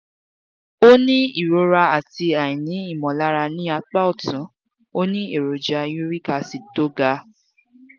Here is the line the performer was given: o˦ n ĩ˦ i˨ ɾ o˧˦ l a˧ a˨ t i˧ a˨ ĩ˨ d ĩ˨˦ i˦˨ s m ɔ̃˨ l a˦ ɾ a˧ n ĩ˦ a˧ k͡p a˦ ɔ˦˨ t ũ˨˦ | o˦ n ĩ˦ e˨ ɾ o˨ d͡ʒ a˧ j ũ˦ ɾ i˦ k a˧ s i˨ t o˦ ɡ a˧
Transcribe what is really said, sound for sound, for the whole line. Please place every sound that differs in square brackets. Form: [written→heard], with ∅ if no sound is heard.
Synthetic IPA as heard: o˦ n ĩ˦ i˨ ɾ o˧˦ [l→ɾ] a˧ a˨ t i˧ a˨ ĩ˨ [d→n] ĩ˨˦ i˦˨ [s→∅] m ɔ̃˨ l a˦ ɾ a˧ n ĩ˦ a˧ k͡p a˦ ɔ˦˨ t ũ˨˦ | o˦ n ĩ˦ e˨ ɾ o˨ d͡ʒ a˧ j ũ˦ ɾ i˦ k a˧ s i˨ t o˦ ɡ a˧